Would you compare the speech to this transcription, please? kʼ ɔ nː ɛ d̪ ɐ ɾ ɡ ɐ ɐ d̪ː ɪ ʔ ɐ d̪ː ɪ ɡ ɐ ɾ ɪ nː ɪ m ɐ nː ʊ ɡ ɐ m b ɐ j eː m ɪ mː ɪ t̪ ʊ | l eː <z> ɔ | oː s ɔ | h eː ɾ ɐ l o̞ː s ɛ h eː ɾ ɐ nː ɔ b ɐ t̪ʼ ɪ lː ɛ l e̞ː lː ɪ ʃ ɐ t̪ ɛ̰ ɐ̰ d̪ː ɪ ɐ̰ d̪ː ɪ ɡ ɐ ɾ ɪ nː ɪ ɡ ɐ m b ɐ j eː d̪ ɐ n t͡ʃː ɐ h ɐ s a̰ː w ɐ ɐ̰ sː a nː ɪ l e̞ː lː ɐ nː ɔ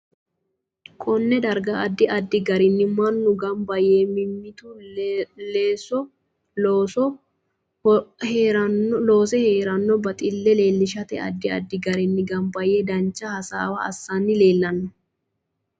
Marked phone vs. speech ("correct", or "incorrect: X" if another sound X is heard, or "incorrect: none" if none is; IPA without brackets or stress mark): incorrect: s